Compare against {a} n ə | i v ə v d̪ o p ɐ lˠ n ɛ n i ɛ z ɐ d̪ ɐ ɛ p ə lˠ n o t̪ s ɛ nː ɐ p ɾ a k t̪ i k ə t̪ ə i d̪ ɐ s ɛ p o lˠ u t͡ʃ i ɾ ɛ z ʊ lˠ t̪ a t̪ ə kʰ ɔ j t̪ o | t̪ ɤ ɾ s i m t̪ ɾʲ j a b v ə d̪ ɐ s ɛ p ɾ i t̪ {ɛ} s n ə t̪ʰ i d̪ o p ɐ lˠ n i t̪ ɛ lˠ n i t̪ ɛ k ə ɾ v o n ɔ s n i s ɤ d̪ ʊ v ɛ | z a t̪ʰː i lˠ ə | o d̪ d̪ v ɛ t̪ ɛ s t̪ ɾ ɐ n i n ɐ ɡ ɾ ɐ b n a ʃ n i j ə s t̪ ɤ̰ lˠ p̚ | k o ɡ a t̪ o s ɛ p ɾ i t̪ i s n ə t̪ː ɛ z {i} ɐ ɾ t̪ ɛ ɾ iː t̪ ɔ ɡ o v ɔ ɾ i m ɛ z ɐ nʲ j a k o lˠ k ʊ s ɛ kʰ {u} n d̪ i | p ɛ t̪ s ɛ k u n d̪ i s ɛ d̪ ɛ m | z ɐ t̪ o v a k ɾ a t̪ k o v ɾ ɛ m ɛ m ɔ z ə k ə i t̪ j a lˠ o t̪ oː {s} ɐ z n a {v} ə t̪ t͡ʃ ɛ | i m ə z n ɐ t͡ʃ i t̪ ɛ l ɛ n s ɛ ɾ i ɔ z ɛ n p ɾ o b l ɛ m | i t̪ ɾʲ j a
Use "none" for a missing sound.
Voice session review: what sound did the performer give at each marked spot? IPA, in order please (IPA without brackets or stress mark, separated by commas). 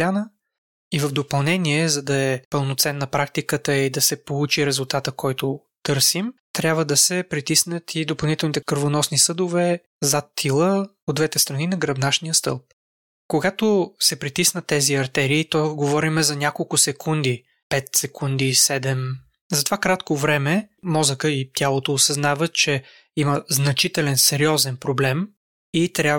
a, i, i, u, s, v